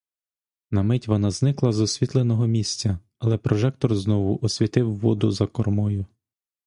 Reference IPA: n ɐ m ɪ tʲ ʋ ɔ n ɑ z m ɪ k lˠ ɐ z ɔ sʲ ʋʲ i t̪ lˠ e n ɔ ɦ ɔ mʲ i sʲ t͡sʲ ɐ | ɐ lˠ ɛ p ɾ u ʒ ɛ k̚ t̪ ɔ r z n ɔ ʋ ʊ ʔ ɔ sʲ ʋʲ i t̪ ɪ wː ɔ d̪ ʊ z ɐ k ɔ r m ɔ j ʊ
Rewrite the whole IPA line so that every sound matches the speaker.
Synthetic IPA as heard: n ɐ m ɪ tʲ ʋ ɔ n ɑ z n ɪ k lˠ ɐ z ɔ sʲ ʋʲ i t̪ lˠ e n ɔ ɦ ɔ mʲ i sʲ t͡sʲ ɐ | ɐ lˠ ɛ p ɾ ɔ ʒ ɛ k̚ t̪ ɔ r z n ɔ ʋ ʊ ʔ ɔ sʲ ʋʲ i t̪ ɪ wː ɔ d̪ ʊ z ɐ k ɔ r m ɔ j ʊ